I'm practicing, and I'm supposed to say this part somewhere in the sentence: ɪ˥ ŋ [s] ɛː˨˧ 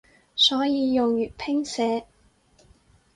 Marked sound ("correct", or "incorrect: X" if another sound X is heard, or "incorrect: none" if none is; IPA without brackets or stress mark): correct